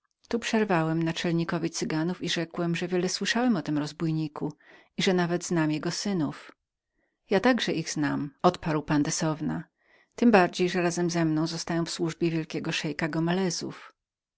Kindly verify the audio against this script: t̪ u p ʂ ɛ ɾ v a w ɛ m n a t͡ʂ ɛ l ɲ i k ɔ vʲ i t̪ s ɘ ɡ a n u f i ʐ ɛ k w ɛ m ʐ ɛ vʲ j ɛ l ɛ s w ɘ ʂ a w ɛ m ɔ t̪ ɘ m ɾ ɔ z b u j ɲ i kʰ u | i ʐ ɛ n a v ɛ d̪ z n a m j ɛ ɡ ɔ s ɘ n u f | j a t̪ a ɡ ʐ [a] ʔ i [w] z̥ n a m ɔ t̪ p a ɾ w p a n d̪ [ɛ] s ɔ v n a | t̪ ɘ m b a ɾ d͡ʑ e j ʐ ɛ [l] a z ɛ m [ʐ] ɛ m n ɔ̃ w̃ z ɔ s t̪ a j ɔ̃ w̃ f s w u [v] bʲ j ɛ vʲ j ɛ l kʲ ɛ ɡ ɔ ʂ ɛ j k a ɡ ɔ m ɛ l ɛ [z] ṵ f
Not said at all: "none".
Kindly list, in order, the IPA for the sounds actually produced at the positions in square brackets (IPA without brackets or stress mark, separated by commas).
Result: ɛ, ɣ, ɛ, ɾ, z, ʐ, z